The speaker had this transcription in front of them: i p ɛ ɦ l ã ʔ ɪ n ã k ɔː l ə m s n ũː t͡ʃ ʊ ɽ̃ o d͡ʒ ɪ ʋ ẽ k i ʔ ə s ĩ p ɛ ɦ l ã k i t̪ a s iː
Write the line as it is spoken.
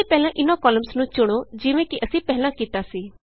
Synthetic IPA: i p ɛ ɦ l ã ʔ ɪ n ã k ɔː l ə m s n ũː t͡ʃ ʊ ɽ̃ o d͡ʒ ɪ ʋ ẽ k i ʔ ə s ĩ p ɛ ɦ l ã k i t̪ a s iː